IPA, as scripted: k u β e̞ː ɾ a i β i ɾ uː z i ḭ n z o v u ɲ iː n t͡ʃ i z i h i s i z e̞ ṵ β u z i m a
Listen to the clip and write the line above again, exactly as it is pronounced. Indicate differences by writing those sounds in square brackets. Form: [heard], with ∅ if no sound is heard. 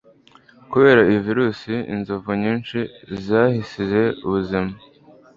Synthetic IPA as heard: k u β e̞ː ɾ a i [v] i ɾ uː [s] i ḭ n z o v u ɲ iː n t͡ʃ i z [a] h i s i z e̞ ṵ β u z i m a